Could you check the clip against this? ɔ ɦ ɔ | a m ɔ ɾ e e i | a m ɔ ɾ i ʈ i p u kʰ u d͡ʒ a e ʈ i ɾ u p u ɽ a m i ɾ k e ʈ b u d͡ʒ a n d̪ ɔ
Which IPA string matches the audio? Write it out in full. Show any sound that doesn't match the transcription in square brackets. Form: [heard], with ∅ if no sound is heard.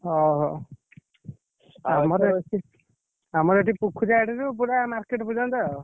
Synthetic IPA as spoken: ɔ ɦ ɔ | a m ɔ ɾ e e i | a m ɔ ɾ [e] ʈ i p u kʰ u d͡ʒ a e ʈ i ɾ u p u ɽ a m [a] ɾ k e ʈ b u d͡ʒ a n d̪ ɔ

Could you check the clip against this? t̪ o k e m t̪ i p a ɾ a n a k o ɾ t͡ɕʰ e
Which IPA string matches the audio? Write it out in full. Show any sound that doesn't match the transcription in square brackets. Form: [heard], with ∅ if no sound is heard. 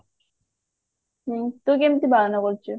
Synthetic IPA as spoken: t̪ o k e m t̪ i [b] a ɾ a n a k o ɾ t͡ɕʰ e

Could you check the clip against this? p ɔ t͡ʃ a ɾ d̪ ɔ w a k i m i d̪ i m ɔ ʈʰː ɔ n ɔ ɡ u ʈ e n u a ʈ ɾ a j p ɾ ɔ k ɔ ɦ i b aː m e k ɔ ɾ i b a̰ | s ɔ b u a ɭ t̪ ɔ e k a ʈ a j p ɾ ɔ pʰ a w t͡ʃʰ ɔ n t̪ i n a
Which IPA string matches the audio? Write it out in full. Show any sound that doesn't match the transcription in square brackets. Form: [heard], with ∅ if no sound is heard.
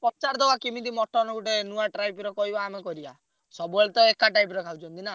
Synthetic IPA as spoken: p ɔ t͡ʃ a ɾ d̪ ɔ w a k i m i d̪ i m ɔ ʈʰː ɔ n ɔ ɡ u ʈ e n u a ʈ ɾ a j p ɾ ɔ k ɔ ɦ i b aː m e k ɔ ɾ i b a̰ | s ɔ b u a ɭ t̪ ɔ e k a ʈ a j p ɾ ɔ [kʰ] a w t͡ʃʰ ɔ n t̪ i n a

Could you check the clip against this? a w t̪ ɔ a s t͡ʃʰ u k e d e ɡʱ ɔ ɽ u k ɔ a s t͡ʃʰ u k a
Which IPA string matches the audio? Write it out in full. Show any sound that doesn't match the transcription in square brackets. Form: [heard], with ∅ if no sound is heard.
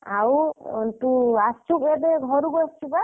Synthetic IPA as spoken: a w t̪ [u] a s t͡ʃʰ u k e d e ɡʱ ɔ [ɾ] u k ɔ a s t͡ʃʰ u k a

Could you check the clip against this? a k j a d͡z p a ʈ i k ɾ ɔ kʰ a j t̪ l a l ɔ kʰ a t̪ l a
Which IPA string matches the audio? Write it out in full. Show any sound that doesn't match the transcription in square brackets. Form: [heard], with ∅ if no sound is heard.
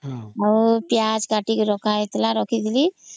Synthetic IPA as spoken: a [p] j a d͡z [k] a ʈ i k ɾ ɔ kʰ a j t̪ l a [ɾ] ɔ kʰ [i] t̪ l [i]

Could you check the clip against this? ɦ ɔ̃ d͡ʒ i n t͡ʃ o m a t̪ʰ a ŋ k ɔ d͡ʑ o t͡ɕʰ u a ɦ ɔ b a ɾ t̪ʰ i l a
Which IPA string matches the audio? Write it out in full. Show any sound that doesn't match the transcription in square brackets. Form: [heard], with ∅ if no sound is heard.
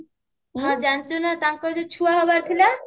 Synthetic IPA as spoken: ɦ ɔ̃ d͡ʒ [a] n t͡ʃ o [n] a [t̪] a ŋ k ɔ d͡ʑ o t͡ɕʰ u a ɦ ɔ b a ɾ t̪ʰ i l a

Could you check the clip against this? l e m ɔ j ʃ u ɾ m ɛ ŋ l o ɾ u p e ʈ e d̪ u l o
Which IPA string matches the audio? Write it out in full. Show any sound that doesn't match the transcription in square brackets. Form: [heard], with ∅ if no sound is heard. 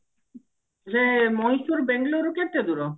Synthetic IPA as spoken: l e m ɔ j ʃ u ɾ [b] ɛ ŋ l o ɾ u [k] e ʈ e d̪ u [ɾ] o

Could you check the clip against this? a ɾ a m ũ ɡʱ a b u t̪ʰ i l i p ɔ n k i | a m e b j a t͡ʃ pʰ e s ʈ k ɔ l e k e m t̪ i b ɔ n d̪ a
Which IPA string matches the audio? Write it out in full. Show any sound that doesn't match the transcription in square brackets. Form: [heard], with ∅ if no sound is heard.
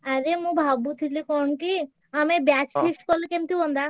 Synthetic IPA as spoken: a ɾ [e] m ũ [bʱ] a b u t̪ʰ i l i [k] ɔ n k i | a m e b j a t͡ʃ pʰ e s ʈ k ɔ l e k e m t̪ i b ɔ n d̪ a

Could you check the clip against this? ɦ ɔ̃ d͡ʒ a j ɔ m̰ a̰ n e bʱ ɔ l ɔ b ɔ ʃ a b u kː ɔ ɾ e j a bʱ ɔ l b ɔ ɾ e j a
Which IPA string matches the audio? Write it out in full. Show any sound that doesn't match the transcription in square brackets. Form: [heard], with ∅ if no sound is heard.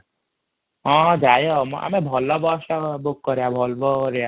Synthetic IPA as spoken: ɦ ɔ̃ d͡ʒ a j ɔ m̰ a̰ [m] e bʱ ɔ l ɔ b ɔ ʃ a b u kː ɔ ɾ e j a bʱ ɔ l b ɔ ɾ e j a

